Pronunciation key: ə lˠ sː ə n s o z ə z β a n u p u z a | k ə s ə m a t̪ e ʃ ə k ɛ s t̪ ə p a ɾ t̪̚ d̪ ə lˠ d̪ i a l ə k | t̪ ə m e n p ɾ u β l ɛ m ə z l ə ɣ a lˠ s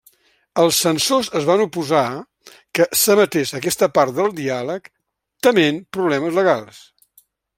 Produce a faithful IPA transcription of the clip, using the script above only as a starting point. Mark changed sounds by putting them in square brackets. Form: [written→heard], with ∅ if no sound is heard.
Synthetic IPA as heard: ə lˠ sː ə n s o z ə z β a n u p u z a | k ə s ə m [a→ə] t̪ e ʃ ə k ɛ s t̪ ə p a ɾ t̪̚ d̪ ə lˠ d̪ i a l ə k | t̪ ə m e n p ɾ u β l ɛ m ə z l ə ɣ a lˠ s